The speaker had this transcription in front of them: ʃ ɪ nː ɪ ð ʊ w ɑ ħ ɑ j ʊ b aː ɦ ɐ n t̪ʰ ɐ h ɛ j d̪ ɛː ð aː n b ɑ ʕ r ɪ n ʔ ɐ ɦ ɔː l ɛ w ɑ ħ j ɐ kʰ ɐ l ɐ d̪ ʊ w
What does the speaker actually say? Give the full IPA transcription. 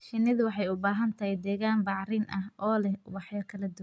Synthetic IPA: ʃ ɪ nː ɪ ð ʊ w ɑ ħ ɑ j ʊ b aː ɦ ɐ n t̪ʰ ɐ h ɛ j d̪ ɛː ɣ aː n b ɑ ʕ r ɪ n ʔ ɐ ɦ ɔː l ɛ w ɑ ħ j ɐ kʰ ɐ l ɐ d̪ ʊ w